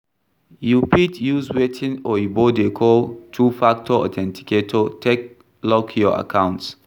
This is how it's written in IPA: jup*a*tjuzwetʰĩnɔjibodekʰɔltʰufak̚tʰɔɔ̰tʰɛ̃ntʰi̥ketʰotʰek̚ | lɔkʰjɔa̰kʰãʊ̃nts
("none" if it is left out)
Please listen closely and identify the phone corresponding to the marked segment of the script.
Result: i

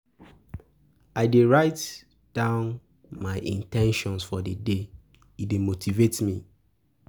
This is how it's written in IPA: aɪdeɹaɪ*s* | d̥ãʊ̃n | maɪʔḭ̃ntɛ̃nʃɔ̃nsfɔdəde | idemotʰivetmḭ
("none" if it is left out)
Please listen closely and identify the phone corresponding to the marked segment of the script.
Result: t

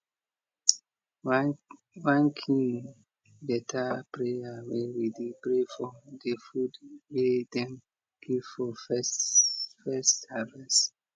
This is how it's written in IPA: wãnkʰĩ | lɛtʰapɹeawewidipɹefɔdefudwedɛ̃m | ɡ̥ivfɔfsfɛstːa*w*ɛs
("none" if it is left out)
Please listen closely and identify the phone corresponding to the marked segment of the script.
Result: v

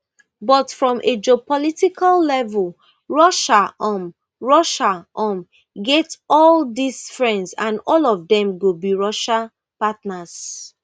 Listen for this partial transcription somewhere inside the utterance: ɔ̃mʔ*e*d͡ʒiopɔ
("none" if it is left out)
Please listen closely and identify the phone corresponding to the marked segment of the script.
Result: e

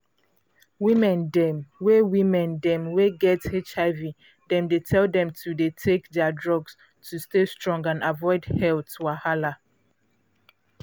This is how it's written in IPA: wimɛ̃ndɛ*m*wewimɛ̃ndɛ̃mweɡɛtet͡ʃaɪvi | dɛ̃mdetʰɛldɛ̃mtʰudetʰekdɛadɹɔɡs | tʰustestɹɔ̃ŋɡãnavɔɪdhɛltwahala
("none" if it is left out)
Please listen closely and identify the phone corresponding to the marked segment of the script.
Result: m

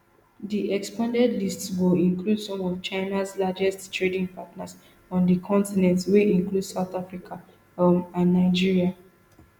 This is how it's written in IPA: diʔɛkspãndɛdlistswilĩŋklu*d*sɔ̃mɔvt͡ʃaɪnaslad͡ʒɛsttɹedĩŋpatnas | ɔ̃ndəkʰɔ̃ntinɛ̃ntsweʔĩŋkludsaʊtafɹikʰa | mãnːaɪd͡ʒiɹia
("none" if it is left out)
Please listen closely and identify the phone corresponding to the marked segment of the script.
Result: d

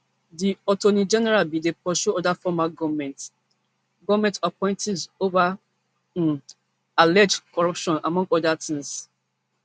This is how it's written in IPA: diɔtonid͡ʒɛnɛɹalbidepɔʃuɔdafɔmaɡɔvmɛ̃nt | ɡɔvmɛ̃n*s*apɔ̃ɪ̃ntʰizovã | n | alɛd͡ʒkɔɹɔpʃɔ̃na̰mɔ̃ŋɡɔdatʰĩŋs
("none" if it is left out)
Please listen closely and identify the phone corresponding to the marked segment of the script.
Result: t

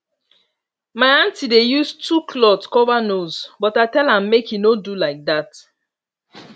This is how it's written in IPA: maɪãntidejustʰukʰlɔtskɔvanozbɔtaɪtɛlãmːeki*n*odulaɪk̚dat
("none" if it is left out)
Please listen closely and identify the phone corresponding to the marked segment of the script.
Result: n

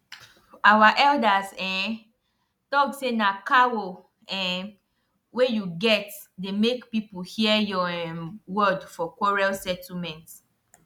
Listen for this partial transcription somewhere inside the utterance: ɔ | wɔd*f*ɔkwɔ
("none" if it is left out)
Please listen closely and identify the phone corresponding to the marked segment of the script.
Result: f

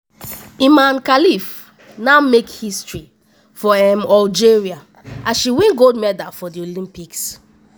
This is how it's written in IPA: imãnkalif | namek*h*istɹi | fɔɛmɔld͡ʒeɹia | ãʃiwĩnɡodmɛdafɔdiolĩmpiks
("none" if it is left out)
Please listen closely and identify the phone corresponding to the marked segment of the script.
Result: h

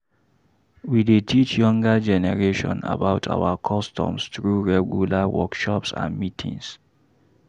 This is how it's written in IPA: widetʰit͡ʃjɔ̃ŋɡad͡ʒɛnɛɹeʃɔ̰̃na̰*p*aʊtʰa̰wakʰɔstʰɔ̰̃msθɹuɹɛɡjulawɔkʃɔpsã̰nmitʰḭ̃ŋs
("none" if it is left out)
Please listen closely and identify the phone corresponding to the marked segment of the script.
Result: b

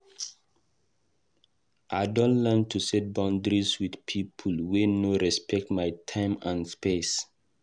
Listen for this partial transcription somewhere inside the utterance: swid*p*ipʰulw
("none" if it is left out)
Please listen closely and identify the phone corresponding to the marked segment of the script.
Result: pʰ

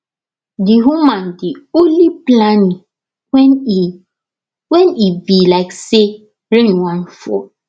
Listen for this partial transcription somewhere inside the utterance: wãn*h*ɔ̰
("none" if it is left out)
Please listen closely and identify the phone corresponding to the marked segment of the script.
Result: f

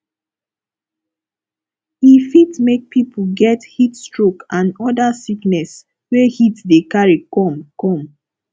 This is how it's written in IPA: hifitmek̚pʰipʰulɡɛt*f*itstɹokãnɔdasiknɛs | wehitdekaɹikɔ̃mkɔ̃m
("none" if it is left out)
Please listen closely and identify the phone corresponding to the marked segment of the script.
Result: h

